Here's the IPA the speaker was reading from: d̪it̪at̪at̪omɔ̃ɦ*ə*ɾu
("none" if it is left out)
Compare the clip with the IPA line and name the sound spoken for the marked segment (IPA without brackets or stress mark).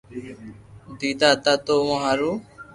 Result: a